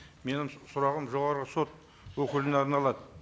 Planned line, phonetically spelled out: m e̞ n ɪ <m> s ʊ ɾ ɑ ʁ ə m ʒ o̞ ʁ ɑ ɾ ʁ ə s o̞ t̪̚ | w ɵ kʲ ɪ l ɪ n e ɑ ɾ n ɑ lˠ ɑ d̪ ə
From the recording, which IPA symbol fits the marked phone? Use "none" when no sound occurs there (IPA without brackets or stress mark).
m